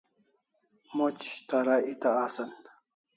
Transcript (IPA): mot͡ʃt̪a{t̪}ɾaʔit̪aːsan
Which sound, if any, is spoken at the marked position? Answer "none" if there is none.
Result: none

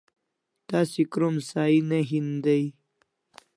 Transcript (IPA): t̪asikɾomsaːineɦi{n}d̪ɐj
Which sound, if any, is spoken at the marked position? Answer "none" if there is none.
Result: n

